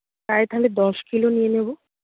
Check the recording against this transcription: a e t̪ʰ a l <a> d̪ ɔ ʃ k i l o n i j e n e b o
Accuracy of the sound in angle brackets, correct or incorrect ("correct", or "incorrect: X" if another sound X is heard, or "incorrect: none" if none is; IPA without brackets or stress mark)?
incorrect: e